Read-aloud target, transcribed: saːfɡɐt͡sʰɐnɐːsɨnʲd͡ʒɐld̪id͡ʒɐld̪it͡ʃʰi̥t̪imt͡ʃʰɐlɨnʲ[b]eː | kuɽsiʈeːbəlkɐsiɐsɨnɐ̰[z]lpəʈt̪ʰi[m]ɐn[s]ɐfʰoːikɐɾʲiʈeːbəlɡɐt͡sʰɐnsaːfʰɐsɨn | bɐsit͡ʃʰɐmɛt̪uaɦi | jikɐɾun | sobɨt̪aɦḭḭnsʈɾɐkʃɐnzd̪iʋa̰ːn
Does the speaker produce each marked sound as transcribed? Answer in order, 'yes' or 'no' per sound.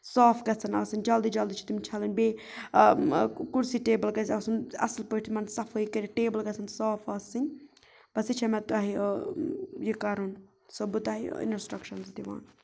yes, no, yes, yes

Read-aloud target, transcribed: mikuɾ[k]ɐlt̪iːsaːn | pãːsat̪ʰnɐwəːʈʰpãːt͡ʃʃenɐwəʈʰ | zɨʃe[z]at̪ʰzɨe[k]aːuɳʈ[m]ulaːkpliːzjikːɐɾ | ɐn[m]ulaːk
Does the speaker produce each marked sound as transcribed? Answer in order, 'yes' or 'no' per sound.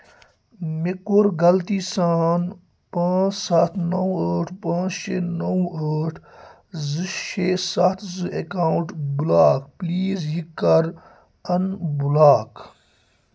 no, no, yes, no, no

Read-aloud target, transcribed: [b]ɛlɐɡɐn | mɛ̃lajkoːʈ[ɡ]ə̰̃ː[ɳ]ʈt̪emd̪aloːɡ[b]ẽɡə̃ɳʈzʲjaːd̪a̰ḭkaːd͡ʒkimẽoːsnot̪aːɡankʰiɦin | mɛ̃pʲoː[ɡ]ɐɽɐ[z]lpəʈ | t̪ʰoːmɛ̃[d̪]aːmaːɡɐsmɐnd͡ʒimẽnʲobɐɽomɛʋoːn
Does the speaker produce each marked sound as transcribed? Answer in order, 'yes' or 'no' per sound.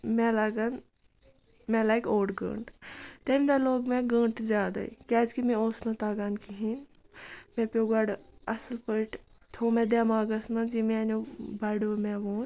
no, yes, yes, no, yes, no, yes

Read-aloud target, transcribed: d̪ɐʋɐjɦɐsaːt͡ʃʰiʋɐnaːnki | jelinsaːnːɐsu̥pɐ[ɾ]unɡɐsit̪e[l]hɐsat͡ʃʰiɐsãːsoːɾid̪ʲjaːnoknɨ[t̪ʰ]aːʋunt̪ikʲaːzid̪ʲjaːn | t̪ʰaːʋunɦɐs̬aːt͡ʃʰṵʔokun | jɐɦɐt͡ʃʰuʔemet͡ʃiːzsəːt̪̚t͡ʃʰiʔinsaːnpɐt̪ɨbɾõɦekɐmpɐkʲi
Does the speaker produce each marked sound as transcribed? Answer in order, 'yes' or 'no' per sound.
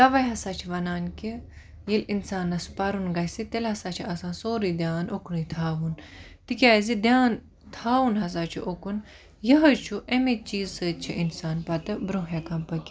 yes, yes, yes

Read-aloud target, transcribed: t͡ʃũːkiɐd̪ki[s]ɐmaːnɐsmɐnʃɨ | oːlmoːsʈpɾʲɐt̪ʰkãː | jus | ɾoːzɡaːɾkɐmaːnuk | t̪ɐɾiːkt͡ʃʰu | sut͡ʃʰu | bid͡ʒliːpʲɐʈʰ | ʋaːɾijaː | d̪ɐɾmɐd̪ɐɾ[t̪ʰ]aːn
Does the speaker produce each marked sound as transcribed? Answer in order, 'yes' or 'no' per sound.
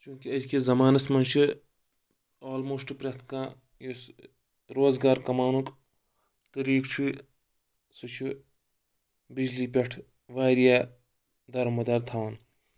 no, yes

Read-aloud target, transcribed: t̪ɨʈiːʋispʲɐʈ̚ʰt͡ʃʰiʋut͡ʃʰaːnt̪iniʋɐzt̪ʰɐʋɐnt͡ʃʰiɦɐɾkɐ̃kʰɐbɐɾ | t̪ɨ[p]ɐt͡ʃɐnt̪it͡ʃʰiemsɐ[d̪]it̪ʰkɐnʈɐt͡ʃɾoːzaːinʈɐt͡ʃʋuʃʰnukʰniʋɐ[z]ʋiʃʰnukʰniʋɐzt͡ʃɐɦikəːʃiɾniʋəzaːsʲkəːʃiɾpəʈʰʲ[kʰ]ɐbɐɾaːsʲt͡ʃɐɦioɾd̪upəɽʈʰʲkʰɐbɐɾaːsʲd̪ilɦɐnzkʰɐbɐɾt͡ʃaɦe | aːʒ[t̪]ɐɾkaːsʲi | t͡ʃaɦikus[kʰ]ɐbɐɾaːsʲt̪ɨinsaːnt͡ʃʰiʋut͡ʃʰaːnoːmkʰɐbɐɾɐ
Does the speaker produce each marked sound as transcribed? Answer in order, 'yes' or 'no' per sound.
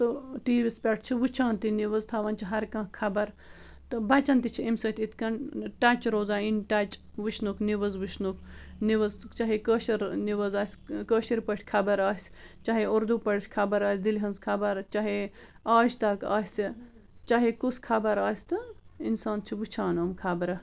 no, no, yes, yes, yes, yes

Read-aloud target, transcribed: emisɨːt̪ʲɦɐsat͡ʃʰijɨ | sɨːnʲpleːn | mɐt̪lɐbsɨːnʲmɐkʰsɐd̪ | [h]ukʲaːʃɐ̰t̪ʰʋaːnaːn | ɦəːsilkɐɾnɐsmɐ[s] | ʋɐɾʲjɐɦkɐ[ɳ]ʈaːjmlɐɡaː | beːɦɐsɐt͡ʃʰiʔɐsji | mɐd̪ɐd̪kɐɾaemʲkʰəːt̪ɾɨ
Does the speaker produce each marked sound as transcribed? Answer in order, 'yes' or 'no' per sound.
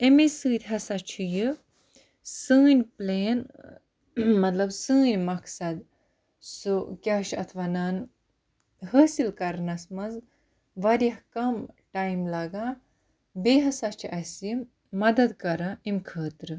no, no, no

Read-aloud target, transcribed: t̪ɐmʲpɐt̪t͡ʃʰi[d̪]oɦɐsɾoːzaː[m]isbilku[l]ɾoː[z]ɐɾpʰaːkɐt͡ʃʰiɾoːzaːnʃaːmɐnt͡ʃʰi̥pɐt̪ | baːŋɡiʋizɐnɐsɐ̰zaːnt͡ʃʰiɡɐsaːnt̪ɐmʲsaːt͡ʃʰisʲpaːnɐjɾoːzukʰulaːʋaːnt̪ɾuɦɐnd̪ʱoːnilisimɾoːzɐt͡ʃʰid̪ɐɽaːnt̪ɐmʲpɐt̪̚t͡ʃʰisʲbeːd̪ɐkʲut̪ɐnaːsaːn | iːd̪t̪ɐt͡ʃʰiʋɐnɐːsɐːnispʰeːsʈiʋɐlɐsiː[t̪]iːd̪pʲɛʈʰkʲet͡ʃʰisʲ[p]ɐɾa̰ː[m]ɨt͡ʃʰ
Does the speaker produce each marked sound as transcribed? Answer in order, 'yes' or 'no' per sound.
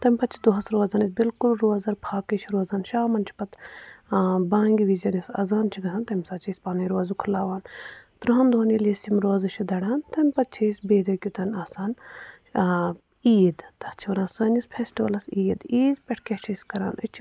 yes, no, yes, yes, no, no, no

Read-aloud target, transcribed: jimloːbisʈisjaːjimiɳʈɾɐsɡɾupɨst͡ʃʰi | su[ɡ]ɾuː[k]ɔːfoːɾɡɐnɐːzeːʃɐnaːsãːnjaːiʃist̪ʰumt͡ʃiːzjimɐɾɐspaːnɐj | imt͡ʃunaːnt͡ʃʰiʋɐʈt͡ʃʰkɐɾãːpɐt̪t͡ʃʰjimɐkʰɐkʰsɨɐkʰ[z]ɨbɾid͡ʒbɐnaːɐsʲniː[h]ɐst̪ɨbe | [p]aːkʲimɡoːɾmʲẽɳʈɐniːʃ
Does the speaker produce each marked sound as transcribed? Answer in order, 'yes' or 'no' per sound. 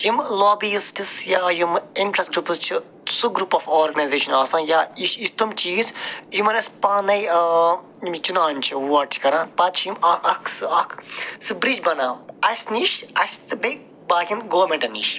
yes, no, no, no, no

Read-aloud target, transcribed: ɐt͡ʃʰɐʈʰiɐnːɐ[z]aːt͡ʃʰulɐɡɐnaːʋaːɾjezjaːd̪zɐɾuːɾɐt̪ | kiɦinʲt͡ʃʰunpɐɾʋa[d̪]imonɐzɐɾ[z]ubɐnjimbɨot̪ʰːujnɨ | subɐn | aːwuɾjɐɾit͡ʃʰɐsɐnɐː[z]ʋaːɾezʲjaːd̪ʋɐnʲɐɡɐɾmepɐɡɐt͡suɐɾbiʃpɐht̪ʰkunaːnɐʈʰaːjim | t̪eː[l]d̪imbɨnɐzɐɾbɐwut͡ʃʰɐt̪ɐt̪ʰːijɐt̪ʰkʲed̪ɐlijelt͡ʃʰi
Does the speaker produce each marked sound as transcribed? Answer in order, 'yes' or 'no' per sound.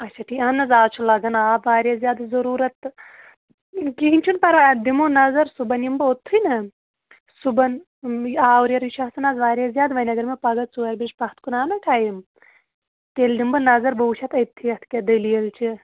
yes, yes, no, yes, yes

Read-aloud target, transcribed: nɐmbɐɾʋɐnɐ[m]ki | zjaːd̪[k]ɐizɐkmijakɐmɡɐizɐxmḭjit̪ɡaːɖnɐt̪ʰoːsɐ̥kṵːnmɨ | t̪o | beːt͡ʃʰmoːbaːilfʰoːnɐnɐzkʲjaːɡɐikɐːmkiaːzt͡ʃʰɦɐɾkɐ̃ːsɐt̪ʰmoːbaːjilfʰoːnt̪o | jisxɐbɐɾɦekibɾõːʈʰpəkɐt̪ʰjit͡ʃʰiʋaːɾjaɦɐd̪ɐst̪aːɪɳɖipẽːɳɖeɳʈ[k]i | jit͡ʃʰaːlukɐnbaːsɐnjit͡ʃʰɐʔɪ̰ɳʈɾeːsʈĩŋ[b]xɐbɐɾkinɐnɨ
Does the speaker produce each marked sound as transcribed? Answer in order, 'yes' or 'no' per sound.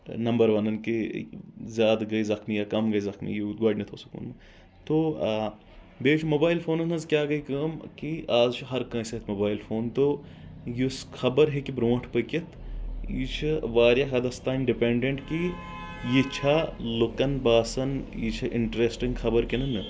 no, no, yes, no

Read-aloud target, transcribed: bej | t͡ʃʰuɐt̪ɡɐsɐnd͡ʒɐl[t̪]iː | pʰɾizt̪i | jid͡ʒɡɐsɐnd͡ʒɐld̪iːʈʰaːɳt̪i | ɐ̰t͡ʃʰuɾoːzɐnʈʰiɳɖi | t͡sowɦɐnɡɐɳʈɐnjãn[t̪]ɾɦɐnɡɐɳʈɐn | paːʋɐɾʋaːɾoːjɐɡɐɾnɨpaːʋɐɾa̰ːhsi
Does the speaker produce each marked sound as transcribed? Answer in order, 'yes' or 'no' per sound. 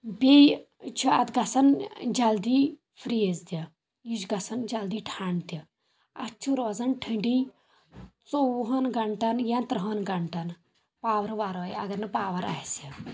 no, yes

